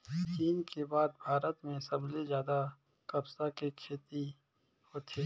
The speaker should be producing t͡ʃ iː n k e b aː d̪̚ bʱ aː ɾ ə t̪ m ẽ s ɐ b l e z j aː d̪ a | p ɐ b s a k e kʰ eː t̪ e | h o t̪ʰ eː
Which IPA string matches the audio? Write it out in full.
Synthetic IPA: t͡ʃ iː n k e b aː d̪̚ bʱ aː ɾ ə t̪ m ẽ s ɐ b l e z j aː d̪ a | k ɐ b s a k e kʰ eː t̪ i | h o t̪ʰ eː